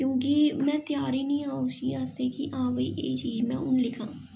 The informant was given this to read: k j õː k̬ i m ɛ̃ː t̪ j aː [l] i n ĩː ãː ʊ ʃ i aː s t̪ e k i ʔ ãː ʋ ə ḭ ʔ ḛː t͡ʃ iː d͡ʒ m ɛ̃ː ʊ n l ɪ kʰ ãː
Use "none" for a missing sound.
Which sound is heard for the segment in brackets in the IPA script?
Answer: ɾ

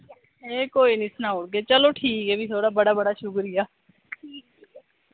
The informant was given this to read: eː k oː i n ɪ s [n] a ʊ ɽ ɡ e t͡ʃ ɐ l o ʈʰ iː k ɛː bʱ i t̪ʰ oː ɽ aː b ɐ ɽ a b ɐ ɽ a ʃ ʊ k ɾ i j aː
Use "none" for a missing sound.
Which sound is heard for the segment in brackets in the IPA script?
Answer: n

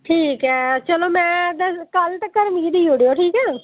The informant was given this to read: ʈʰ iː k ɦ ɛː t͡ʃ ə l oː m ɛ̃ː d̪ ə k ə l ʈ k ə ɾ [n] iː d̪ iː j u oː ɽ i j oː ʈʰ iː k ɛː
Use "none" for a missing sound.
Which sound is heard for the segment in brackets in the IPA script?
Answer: m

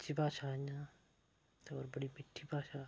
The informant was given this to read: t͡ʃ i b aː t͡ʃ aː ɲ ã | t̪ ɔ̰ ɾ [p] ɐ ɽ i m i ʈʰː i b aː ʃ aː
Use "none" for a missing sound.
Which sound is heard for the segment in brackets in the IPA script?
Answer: b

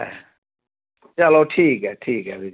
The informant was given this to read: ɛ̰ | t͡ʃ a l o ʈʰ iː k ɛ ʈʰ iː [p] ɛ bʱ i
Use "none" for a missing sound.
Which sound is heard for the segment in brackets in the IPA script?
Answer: k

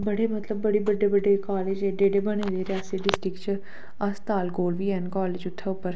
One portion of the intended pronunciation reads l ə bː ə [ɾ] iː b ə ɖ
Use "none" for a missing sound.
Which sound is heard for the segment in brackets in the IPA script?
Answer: ɽ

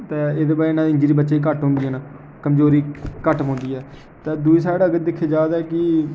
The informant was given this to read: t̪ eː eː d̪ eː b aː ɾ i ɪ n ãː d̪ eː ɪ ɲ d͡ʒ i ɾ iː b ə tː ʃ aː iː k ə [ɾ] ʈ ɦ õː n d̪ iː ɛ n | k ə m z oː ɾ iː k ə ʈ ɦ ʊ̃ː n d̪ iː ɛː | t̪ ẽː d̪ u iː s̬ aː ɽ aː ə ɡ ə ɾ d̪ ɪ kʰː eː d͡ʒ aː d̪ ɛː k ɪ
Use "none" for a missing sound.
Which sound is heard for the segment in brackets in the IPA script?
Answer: none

